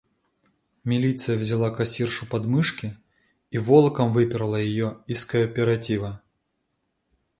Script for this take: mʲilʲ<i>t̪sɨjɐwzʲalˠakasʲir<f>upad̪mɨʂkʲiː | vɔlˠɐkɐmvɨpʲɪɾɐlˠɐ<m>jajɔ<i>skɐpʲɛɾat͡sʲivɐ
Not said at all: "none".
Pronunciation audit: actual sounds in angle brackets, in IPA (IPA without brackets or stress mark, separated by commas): i, ʂ, none, i